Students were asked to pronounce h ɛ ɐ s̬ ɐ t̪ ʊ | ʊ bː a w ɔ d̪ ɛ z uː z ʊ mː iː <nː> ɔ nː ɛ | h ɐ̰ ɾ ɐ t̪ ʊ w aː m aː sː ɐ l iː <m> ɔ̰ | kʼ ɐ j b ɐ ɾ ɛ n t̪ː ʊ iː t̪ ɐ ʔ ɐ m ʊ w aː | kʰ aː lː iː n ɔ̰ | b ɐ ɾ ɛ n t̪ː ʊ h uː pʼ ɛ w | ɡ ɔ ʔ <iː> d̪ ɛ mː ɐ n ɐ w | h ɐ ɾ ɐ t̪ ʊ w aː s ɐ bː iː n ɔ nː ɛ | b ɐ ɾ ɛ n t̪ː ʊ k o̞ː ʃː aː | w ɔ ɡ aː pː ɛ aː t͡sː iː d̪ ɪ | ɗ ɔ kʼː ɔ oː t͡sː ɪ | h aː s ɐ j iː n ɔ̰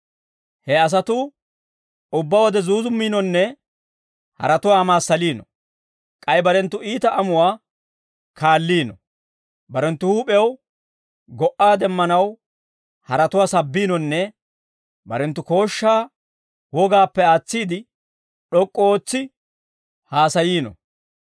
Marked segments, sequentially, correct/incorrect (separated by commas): incorrect, incorrect, incorrect